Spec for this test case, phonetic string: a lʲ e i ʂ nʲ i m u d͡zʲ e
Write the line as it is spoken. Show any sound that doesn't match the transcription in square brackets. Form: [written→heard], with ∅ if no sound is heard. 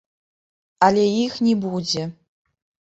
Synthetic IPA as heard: a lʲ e i [ʂ→x] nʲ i [m→b] u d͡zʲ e

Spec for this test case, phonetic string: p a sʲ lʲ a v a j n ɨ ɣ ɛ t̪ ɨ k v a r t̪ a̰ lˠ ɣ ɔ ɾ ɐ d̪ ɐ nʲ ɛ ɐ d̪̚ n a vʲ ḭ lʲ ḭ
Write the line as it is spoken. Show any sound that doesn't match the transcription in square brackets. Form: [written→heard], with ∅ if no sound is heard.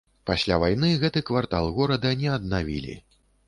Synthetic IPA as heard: p a sʲ lʲ a v a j n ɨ ɣ ɛ t̪ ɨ k v a r t̪ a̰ lˠ ɣ ɔ ɾ ɐ d̪ ɐ nʲ ɛ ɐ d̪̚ n a vʲ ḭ lʲ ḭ

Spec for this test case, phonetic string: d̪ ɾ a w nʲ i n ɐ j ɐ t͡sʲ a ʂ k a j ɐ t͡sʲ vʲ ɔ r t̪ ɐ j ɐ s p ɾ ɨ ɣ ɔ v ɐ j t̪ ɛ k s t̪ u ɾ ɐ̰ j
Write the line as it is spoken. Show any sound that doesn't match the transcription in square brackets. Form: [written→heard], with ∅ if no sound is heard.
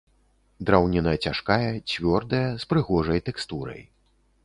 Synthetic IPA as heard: d̪ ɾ a w nʲ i n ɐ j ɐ t͡sʲ a ʂ k a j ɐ t͡sʲ vʲ ɔ r [t̪→d̪] ɐ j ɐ s p ɾ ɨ ɣ ɔ [v→ʐ] ɐ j t̪ ɛ k s t̪ u ɾ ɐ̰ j

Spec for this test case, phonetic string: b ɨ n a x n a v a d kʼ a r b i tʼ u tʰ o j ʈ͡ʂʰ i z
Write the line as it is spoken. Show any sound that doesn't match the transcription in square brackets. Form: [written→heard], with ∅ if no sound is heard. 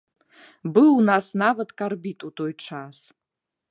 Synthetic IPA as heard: b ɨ n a [x→s] n a v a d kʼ a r b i tʼ u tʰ o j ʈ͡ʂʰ [i→a] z

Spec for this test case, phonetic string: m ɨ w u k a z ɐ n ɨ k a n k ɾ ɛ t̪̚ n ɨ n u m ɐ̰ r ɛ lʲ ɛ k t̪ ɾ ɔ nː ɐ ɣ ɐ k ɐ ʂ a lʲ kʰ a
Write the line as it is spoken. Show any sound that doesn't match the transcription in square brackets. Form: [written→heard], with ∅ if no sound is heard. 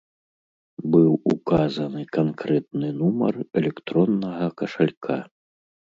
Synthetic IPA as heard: [m→b] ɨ w u k a z ɐ n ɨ k a n k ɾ ɛ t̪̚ n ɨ n u m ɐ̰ r ɛ lʲ ɛ k t̪ ɾ ɔ nː ɐ ɣ ɐ k ɐ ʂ a lʲ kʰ a

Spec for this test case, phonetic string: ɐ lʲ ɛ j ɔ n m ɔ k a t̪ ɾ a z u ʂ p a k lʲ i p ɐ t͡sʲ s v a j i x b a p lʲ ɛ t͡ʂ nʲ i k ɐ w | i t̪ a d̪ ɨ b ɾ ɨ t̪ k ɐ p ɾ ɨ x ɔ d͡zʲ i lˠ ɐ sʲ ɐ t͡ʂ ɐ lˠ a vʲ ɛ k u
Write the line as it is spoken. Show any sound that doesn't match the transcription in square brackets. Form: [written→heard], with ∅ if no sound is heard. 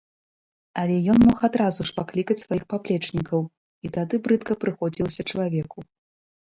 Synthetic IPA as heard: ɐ lʲ ɛ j ɔ n m ɔ [k→x] a [t̪→d̪] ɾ a z u ʂ p a k lʲ i [p→k] ɐ t͡sʲ s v a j i x [b→p] a p lʲ ɛ t͡ʂ nʲ i k ɐ w | i t̪ a d̪ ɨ b ɾ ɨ t̪ k ɐ p ɾ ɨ x ɔ d͡zʲ i lˠ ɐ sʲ ɐ t͡ʂ ɐ lˠ a vʲ ɛ k u

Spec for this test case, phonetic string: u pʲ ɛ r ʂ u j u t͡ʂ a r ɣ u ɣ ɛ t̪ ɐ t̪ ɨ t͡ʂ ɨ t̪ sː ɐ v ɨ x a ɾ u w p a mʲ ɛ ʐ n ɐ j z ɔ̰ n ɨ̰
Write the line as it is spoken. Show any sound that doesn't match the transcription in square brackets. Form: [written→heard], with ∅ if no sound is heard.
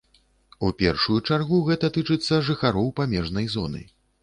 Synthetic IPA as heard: u pʲ ɛ r ʂ u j u t͡ʂ a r ɣ u ɣ ɛ t̪ ɐ t̪ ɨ t͡ʂ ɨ t̪ sː ɐ [v→ʐ] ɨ x a ɾ [u→ɔ] w p a mʲ ɛ ʐ n ɐ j z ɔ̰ n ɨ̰

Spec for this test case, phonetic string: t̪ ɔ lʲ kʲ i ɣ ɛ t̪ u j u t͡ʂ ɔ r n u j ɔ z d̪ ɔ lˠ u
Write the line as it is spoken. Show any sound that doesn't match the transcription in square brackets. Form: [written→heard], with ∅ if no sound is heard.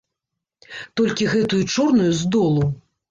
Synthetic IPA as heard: t̪ ɔ lʲ kʲ i ɣ ɛ t̪ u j u t͡ʂ ɔ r n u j [ɔ→u] z d̪ ɔ lˠ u

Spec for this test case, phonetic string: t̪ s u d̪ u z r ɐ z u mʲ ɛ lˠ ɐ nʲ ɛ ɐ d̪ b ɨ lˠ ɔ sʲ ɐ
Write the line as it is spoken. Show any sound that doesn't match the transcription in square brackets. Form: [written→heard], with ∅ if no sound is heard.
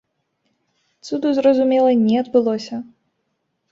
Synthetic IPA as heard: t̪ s u d̪ u z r ɐ z u mʲ ɛ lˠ ɐ nʲ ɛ ɐ d̪ b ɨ lˠ ɔ sʲ ɐ

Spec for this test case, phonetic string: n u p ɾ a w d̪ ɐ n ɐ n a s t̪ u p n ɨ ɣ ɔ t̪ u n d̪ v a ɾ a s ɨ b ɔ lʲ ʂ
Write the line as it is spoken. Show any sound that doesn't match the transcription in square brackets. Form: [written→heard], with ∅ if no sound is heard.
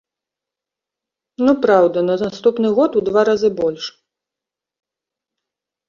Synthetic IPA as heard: n u p ɾ a w d̪ ɐ n ɐ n a s t̪ u p n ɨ ɣ ɔ t̪ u [n→∅] d̪ v a ɾ a [s→z] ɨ b ɔ lʲ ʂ

